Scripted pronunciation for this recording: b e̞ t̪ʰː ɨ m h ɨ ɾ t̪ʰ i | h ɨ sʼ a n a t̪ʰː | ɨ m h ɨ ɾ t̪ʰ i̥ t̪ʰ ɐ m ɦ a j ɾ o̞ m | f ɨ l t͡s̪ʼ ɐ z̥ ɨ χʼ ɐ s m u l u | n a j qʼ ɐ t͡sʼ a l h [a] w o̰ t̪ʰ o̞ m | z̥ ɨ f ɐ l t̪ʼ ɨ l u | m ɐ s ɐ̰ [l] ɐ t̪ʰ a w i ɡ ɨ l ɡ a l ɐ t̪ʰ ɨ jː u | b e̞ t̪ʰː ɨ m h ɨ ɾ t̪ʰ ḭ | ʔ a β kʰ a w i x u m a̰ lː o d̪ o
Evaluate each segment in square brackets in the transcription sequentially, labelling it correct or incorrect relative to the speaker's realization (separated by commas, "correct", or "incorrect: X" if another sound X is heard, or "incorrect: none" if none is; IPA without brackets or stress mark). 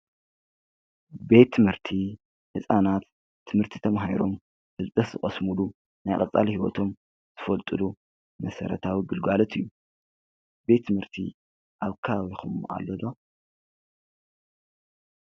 incorrect: i, incorrect: ɾ